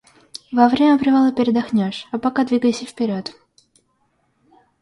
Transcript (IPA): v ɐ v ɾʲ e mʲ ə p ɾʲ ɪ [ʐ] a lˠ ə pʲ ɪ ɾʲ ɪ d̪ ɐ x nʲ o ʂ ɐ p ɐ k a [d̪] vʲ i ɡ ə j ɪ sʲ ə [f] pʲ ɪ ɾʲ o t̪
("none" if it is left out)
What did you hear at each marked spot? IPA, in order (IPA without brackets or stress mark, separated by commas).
v, d̪, f